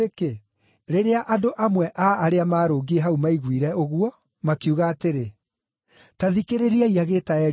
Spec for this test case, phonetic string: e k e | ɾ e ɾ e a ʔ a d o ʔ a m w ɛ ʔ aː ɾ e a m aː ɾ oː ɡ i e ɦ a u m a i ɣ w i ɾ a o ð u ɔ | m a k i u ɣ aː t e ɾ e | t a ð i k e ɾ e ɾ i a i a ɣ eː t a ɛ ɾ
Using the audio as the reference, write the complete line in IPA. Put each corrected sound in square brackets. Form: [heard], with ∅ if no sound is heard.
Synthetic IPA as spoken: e k e | ɾ e ɾ e a ʔ a d o ʔ a m w ɛ ʔ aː ɾ e a m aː ɾ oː ɡ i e ɦ a u m a i ɣ w i ɾ [ɛ] o [ɣ] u ɔ | m a k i u ɣ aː t e ɾ e | t a ð i k e ɾ e ɾ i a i a ɣ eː t a ɛ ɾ